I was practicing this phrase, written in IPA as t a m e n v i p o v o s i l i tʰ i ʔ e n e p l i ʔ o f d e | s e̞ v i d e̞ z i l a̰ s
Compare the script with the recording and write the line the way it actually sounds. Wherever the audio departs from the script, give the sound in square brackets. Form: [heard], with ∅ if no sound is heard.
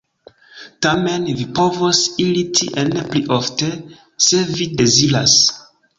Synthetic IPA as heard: t a m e n v i p o v o s i l i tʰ i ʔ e n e p l i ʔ o f [t] e | s e̞ v i d e̞ z i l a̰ s